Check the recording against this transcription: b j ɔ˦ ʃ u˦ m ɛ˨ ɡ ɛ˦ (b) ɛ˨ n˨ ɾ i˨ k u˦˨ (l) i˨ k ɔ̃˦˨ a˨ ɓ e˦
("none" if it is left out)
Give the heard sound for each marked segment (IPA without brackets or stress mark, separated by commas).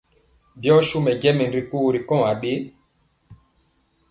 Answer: m, ɾ